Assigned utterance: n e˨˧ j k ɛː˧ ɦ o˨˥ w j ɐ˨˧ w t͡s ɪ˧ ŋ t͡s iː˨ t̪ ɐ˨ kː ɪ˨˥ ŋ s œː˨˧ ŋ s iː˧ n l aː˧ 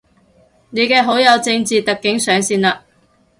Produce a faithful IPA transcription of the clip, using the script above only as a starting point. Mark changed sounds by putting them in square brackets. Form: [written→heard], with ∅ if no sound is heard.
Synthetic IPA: n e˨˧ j k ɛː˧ ɦ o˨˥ w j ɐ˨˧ w t͡s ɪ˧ ŋ t͡s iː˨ t̪ ɐ˨ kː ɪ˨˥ ŋ s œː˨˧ ŋ s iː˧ n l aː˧